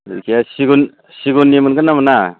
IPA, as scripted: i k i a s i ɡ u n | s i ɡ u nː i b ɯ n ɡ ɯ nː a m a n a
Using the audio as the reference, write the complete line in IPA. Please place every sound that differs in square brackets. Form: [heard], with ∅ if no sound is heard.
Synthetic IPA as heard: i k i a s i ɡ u n | s i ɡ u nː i [m] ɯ n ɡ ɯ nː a m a n a